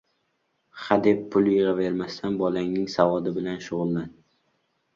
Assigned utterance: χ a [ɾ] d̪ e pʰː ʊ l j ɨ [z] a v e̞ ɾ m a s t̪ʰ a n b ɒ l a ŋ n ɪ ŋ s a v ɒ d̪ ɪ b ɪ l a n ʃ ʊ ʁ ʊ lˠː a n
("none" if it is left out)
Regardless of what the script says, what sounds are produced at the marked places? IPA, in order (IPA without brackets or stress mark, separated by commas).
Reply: none, ʁ